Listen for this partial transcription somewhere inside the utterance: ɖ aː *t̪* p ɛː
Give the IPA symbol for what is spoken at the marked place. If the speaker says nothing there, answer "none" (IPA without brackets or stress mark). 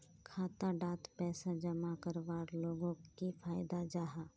t̪